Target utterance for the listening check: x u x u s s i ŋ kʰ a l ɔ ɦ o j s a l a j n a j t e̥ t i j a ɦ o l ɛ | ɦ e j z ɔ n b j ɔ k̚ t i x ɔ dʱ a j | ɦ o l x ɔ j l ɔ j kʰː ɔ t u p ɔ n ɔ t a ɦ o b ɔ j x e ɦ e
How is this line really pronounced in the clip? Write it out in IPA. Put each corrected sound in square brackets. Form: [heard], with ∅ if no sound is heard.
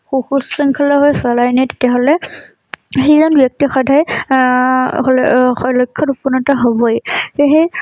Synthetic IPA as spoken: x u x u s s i ŋ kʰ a l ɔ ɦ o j s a l a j n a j t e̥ t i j a ɦ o l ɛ | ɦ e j z ɔ n b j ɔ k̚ t i x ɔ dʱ a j | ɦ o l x ɔ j l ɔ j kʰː ɔ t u p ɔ n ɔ t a ɦ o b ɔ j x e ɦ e